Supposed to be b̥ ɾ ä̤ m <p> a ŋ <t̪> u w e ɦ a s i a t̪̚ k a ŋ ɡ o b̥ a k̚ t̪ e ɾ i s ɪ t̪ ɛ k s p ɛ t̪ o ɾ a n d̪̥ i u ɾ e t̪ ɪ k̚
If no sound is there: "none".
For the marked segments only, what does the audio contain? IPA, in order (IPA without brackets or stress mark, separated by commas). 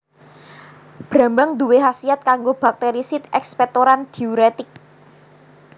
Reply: b, d̪